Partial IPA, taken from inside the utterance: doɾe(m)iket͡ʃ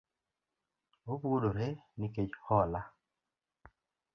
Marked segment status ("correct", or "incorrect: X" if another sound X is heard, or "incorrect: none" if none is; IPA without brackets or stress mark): incorrect: n